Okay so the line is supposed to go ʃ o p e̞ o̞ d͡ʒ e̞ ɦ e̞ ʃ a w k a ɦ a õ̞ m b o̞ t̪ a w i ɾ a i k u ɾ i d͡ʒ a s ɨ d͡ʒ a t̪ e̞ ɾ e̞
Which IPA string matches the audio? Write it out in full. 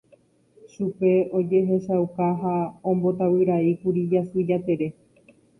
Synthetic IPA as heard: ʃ u p e̞ o̞ d͡ʒ e̞ ɦ e̞ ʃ a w k a ɦ a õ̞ m b o̞ t̪ a w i ɾ a i k u ɾ i d͡ʒ a s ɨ d͡ʒ a t̪ e̞ ɾ e̞